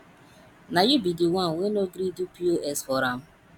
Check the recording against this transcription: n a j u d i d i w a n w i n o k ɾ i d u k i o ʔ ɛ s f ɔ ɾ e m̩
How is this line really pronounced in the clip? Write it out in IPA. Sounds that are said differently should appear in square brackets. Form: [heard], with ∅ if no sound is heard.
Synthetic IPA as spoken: n a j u [b] i d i w a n w [e] n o [ɡ] ɾ i d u [p] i o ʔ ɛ s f ɔ ɾ [a] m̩